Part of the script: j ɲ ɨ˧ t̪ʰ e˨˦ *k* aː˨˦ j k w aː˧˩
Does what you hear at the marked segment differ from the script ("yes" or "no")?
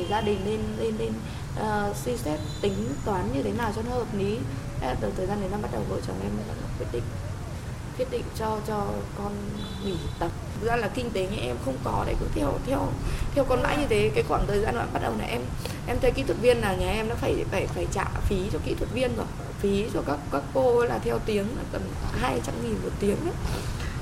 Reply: no